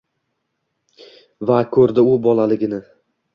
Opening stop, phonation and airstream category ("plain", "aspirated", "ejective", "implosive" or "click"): aspirated